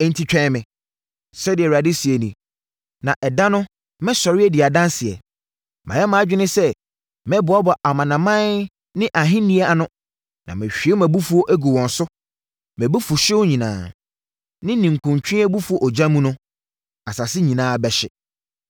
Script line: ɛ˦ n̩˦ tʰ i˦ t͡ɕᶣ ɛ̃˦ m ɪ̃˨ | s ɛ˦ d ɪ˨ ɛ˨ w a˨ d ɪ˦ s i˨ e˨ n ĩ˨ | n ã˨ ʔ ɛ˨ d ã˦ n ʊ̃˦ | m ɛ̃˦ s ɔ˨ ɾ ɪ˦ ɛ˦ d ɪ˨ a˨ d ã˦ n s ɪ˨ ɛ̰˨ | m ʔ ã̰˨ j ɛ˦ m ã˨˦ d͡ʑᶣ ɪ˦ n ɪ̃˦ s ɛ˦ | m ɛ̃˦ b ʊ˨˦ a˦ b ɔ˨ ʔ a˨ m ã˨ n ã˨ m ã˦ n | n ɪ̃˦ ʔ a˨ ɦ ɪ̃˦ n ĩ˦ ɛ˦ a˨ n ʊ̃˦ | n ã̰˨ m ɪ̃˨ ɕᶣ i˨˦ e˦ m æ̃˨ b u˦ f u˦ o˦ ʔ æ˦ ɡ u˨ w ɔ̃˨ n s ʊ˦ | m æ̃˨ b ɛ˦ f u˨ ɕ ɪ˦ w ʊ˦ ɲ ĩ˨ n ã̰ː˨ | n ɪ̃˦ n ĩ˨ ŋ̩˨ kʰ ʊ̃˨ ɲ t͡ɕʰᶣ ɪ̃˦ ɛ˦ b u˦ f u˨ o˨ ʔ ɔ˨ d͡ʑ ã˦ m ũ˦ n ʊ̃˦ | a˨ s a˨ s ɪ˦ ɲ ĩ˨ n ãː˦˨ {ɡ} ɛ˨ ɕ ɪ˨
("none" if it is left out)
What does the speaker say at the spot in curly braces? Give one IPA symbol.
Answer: b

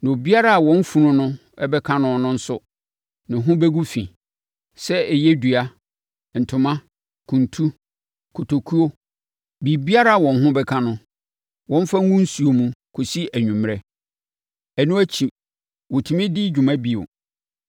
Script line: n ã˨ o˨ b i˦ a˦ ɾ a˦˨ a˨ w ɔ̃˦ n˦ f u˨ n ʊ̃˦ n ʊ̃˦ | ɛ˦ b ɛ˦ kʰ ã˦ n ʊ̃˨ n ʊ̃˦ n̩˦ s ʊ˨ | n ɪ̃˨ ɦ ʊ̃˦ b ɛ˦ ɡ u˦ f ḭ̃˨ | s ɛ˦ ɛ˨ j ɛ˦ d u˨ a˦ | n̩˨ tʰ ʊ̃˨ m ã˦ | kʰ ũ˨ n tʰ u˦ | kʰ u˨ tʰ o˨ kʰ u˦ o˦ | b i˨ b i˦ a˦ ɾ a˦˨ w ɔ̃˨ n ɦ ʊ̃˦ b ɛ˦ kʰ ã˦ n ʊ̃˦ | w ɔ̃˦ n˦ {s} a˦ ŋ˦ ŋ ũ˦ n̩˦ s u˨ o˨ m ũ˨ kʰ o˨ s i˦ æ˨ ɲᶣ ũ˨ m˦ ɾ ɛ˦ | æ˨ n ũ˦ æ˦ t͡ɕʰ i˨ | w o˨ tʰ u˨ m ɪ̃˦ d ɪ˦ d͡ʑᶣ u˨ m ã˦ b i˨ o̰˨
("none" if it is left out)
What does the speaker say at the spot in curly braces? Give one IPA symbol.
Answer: f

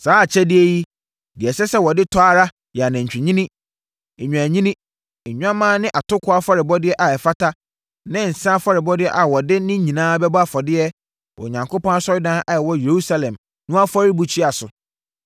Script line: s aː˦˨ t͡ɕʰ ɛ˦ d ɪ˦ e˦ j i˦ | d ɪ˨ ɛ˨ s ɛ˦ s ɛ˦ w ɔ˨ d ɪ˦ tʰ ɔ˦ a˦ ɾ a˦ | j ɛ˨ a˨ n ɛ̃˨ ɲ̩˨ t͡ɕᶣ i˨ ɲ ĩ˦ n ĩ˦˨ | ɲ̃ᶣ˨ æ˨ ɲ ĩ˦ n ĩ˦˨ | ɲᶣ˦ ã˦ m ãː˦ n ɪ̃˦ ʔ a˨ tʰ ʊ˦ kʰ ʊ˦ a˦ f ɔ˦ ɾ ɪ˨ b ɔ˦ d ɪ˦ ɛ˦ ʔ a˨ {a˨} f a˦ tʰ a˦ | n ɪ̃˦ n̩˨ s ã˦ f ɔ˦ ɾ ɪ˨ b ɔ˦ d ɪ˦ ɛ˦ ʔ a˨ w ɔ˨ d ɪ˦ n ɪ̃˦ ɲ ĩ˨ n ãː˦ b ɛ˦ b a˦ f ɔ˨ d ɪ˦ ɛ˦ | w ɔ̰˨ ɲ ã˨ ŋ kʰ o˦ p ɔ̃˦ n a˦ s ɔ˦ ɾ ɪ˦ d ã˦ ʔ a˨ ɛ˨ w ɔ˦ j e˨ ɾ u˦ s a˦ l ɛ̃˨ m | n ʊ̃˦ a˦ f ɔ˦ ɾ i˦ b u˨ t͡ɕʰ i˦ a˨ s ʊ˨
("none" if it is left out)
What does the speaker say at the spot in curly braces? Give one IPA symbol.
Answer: ɛ˨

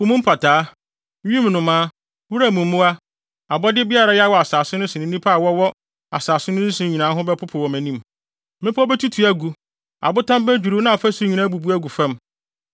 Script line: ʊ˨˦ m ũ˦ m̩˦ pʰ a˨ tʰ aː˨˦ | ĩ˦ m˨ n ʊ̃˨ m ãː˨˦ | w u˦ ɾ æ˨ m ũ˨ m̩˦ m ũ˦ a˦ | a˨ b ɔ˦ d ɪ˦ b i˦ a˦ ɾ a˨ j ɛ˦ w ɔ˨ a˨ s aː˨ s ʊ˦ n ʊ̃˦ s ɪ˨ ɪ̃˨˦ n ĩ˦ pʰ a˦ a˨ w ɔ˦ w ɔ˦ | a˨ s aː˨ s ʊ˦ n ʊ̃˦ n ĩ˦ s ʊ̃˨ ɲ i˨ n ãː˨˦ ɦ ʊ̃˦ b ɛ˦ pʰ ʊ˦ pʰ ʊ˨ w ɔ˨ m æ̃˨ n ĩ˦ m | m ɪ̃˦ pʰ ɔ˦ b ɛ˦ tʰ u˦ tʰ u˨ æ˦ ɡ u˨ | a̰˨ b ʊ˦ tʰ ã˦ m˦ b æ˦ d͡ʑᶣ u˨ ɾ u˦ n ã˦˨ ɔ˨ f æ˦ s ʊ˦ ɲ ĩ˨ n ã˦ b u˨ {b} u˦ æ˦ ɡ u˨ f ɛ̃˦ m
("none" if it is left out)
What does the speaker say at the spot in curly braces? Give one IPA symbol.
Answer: b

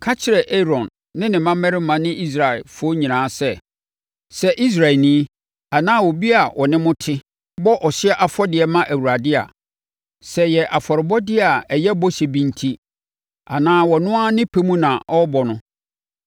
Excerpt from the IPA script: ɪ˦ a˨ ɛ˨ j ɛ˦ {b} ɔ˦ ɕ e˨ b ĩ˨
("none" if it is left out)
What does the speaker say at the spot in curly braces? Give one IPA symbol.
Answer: b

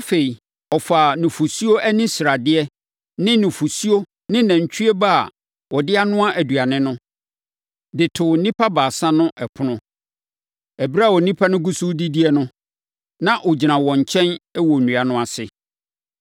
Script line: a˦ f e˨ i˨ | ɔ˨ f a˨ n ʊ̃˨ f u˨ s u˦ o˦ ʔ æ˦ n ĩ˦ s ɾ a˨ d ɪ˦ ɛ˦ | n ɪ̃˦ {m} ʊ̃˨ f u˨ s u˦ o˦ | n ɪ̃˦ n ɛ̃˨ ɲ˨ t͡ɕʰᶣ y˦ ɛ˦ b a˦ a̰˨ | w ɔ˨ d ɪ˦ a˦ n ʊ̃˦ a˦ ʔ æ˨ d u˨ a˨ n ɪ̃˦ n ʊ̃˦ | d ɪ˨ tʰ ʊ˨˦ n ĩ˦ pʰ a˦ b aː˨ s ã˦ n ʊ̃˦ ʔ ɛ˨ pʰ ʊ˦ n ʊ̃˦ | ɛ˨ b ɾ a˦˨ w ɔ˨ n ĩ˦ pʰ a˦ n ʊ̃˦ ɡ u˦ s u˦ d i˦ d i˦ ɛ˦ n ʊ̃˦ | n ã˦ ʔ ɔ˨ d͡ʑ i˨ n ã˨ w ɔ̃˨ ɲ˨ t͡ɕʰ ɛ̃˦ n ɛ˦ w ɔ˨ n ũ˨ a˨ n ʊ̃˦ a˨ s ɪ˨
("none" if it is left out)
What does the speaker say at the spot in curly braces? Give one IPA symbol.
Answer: n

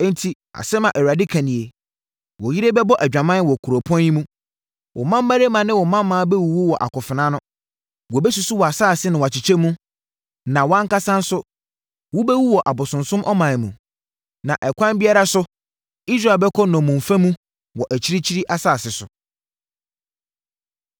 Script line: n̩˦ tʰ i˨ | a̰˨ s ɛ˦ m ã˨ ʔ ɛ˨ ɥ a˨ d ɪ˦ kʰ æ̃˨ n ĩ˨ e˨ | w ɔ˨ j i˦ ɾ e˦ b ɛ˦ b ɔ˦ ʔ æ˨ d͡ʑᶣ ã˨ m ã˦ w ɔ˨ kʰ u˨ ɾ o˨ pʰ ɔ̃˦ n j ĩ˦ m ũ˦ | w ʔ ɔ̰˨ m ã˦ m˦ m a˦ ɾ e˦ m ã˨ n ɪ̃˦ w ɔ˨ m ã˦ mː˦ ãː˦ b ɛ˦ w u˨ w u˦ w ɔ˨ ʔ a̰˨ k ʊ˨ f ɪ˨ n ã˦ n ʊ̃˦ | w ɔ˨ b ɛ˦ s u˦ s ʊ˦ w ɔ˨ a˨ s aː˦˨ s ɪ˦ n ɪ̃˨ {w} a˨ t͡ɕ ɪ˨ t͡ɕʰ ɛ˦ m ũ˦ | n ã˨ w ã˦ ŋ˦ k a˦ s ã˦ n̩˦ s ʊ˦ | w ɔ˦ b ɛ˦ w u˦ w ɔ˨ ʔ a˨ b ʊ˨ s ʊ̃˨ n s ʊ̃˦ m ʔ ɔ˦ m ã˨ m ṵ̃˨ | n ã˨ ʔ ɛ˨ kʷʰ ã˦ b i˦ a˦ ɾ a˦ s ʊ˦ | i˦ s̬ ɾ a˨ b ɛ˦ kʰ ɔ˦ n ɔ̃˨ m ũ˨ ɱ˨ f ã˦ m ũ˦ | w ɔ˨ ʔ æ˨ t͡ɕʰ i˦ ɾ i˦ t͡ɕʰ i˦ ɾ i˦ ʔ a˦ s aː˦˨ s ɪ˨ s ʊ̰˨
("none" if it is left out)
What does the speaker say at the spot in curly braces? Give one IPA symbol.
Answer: w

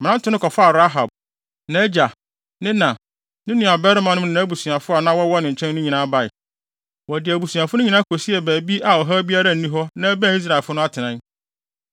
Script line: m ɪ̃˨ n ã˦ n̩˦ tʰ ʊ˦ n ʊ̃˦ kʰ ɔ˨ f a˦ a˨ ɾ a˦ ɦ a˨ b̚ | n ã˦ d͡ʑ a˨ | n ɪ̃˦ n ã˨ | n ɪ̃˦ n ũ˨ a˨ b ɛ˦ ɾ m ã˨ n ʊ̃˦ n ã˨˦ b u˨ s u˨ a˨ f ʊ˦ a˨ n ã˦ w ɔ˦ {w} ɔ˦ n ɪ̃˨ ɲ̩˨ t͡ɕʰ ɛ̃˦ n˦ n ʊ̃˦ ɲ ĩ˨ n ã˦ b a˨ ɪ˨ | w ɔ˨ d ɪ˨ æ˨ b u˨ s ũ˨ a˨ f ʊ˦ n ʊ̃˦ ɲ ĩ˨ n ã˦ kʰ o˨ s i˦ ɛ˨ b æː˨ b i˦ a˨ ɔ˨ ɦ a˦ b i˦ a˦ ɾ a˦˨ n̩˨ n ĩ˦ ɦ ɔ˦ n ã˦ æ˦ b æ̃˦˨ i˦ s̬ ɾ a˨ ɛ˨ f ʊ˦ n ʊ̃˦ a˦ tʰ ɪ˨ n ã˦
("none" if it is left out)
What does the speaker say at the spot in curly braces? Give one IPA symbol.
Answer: w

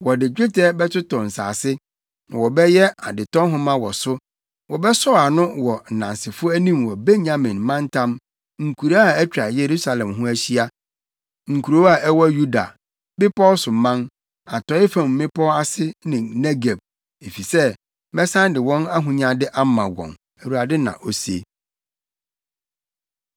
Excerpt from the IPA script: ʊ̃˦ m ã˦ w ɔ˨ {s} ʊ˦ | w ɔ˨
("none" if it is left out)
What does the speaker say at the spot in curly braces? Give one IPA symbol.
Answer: s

